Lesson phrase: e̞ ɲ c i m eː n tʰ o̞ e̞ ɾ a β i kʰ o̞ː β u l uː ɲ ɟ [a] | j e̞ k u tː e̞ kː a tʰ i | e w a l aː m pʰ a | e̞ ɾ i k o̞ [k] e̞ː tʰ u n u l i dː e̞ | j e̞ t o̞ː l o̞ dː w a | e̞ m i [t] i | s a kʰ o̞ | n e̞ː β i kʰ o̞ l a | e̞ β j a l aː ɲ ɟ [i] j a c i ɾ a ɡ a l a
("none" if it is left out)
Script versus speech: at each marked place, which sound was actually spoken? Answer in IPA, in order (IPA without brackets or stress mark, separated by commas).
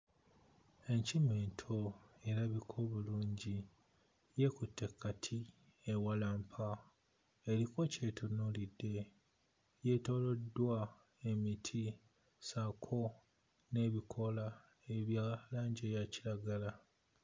i, c, tʰ, e